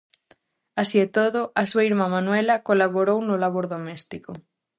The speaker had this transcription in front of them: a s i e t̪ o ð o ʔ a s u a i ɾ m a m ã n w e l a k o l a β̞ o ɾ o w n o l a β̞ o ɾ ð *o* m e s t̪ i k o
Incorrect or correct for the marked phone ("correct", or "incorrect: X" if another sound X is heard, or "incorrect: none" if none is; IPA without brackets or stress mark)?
correct